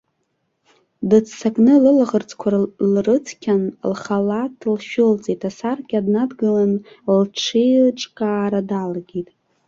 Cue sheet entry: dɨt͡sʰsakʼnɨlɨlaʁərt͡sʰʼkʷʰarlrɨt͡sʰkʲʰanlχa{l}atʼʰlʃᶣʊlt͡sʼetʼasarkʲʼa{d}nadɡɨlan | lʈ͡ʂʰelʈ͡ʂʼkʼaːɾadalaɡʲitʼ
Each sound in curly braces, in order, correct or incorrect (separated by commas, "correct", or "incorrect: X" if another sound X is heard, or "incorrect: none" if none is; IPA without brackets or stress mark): correct, correct